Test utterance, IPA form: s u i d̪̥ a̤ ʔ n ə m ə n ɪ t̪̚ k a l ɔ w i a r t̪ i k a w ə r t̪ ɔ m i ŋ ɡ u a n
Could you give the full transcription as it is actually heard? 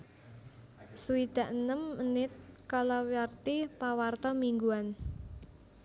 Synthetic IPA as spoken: s u i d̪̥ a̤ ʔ n ə m ə n ɪ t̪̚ k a l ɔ w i a r t̪ i p a w a r t̪ ɔ m i ŋ ɡ u a n